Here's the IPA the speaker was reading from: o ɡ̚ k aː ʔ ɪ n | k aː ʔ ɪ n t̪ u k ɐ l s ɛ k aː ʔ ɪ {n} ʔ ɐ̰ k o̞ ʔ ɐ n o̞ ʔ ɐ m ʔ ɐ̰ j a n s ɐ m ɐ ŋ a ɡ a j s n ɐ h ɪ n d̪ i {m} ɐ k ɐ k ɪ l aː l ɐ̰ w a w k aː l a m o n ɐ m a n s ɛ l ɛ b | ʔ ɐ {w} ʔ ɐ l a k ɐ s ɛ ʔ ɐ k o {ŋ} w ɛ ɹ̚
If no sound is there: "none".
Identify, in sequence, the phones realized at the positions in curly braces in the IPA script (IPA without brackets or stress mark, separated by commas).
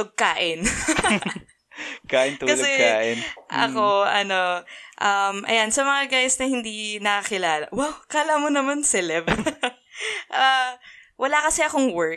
n, n, w, ŋ